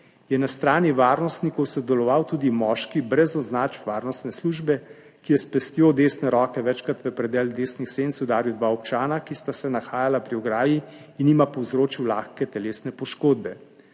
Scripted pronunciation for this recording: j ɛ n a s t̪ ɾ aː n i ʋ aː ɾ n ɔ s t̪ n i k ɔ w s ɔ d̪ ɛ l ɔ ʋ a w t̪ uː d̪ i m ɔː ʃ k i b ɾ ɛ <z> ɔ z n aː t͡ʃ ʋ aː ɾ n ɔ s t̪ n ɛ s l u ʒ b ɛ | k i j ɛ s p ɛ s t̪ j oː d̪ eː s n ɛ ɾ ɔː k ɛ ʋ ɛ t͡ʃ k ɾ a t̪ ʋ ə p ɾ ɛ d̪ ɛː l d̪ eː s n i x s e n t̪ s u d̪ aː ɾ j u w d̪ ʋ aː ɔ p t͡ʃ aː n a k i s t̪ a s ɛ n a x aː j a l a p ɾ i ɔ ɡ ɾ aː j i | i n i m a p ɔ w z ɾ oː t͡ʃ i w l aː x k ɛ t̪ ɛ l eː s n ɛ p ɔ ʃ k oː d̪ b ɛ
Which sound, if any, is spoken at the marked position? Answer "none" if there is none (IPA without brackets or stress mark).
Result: z